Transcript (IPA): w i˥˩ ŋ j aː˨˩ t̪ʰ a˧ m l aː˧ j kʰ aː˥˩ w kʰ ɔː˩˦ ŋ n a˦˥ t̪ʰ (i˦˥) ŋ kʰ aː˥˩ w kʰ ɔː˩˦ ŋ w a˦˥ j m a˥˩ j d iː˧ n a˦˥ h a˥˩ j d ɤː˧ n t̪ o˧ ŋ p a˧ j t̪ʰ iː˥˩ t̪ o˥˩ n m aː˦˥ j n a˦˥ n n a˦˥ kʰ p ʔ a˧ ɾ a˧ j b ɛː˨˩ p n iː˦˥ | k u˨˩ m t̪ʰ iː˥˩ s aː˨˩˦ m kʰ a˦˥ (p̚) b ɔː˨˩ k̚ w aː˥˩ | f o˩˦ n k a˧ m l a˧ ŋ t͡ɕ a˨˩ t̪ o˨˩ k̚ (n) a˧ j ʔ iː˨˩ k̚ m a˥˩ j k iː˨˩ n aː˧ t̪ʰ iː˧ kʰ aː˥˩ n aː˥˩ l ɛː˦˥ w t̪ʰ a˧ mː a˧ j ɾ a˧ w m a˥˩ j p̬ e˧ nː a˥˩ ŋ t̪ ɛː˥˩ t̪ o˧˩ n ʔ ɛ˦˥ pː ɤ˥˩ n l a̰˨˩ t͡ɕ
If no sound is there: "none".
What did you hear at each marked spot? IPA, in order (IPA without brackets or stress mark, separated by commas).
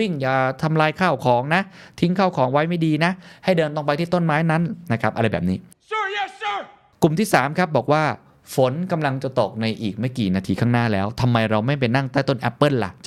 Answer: i˦˥, p̚, n